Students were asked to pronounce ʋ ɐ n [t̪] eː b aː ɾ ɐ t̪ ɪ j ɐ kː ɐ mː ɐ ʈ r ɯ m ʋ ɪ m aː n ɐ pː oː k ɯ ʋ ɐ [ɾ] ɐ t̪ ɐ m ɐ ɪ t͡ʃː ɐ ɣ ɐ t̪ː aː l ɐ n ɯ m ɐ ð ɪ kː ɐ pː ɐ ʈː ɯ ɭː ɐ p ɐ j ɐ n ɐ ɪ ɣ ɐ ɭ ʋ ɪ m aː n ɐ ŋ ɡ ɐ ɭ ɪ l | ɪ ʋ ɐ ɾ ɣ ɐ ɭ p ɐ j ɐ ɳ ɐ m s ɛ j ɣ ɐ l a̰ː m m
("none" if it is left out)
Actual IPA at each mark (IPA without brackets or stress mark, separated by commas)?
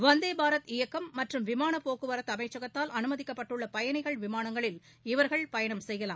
d̪, ɾ